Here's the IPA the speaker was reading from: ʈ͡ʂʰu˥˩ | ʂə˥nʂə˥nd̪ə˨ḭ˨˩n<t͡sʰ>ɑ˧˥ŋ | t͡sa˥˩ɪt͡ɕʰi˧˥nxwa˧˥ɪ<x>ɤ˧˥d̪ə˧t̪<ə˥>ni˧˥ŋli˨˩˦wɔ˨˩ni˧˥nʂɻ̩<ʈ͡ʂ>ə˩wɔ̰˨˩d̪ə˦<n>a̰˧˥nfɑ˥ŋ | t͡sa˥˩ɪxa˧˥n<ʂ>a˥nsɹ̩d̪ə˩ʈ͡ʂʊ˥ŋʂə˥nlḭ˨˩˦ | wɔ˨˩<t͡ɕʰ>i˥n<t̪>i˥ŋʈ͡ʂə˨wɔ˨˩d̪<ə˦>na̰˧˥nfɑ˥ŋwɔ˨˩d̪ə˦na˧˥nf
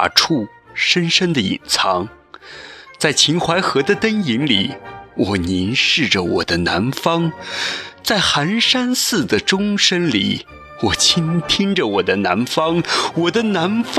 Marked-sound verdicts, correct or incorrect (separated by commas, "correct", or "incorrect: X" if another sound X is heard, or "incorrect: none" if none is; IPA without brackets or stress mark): correct, correct, correct, correct, correct, correct, correct, incorrect: t̪ʰ, correct